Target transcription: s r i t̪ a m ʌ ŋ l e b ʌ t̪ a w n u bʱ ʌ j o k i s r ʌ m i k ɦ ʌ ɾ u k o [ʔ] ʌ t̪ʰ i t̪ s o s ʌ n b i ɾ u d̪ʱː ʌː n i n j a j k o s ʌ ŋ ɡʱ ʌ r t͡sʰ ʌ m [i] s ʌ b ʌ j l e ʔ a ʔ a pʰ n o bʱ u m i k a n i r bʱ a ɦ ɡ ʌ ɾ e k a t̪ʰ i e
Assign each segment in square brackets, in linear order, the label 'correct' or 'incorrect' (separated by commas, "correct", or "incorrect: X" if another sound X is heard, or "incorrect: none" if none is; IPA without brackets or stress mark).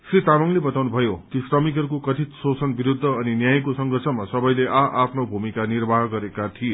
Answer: incorrect: k, incorrect: a